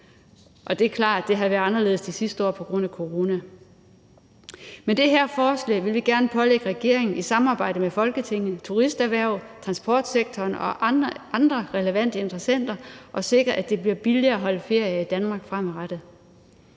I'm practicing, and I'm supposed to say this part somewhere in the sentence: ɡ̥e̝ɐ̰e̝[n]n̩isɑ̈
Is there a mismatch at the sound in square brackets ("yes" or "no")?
yes